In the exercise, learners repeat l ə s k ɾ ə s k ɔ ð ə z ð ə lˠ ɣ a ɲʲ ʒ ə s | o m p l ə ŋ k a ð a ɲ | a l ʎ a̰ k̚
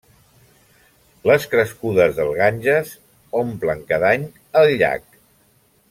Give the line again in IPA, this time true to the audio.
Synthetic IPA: l ə s k ɾ ə s k u ð ə z ð ə lˠ ɣ a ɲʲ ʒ ə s | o m p l ə ŋ k a ð a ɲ | ə l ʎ a̰ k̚